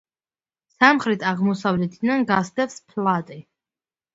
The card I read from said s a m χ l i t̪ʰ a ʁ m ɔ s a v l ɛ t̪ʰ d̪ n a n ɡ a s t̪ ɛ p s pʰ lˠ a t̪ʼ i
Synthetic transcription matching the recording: s a m χ ɾ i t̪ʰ a ʁ m ɔ s a v l ɛ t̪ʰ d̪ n a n ɡ a s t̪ ɛ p s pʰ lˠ a t̪ʼ i